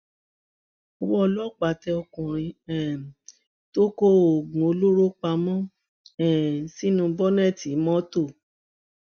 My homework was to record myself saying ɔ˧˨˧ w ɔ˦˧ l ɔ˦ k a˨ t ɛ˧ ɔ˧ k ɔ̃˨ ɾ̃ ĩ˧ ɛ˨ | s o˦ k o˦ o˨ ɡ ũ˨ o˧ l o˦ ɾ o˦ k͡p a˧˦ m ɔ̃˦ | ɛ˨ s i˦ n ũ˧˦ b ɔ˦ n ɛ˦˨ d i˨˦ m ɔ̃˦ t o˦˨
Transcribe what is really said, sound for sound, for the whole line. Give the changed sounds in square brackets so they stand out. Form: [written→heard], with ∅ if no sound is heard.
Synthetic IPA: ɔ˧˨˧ w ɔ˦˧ l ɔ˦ [k→k͡p] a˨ t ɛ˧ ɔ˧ k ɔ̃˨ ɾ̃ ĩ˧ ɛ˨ | [s→t] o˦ k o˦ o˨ ɡ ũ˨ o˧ l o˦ ɾ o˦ k͡p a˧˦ m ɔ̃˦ | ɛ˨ s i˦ n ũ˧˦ b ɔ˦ n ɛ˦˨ [d→t] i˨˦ m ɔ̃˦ t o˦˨